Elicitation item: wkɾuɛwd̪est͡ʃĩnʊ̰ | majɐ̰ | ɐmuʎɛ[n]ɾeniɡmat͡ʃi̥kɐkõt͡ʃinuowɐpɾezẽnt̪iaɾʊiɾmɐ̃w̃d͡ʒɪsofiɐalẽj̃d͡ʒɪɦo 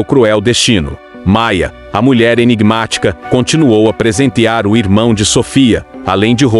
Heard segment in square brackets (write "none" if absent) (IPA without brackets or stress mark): none